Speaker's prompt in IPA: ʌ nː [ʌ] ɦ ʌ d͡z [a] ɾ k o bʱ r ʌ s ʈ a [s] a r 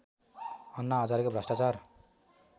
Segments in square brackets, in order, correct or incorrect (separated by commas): incorrect, correct, incorrect